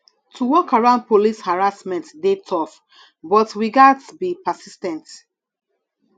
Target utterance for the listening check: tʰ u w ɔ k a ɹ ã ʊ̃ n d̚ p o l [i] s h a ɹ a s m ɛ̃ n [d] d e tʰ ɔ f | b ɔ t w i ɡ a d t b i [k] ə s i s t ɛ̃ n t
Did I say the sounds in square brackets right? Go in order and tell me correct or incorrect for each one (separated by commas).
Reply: correct, incorrect, incorrect